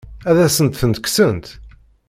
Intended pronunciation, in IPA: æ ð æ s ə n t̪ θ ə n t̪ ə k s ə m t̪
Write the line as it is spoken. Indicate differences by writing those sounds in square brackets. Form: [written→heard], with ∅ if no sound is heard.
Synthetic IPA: æ ð æ s ə n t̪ θ ə n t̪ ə k s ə [m→n] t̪